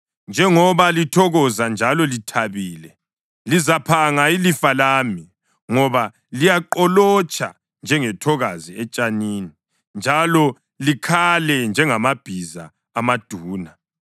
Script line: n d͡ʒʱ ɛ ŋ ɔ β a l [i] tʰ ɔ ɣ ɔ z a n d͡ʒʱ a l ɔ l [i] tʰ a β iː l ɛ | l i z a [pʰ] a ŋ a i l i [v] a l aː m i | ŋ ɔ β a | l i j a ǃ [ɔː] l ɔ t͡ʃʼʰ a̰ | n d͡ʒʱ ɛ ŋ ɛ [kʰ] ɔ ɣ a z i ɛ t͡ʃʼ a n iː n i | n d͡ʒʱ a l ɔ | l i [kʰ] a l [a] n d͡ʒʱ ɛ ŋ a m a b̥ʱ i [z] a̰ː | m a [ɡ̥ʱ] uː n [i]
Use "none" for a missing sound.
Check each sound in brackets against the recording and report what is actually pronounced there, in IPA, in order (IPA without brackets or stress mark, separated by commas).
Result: i, i, pʰ, f, ɔ, tʰ, kʰ, ɛ, z, d̥ʱ, a